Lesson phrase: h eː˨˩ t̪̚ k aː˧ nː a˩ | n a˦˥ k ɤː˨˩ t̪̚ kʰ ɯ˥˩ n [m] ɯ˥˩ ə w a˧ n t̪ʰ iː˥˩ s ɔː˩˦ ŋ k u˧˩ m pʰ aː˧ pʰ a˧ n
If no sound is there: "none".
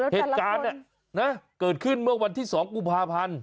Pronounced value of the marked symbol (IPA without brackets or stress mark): m